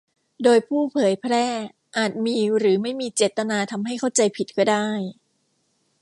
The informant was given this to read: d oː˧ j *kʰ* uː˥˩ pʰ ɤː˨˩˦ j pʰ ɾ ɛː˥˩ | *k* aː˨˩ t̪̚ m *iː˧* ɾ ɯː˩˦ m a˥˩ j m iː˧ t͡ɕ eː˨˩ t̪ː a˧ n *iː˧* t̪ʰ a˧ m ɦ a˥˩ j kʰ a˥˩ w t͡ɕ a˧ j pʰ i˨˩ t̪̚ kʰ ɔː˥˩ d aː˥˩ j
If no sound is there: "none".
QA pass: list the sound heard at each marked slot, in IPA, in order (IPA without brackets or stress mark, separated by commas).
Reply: pʰ, ʔ, iː˧, aː˧